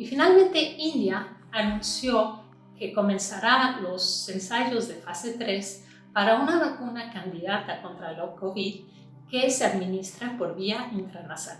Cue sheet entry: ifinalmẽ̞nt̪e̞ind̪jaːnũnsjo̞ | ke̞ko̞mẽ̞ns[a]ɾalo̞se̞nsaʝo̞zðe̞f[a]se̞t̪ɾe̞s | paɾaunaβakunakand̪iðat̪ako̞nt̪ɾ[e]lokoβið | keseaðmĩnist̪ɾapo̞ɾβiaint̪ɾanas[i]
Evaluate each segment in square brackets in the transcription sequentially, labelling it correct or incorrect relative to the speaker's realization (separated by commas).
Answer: correct, correct, incorrect, incorrect